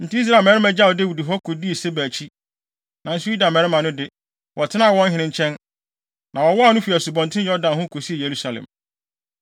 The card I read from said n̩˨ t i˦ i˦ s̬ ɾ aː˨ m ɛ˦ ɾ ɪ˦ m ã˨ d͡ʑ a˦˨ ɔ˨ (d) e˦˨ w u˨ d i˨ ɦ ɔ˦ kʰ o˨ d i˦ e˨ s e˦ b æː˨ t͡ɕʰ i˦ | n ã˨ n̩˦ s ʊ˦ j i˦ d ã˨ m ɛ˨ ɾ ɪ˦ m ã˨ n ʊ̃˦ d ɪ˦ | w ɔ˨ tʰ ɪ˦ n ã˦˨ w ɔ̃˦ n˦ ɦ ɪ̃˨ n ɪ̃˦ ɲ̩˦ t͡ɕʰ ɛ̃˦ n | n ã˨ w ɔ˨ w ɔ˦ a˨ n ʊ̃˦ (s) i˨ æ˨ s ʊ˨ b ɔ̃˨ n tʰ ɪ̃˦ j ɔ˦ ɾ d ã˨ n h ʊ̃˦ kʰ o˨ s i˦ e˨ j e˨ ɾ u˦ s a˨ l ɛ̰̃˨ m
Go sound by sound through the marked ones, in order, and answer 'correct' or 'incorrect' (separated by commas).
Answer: correct, incorrect